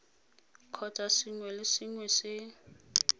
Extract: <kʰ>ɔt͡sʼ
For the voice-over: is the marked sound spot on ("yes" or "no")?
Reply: yes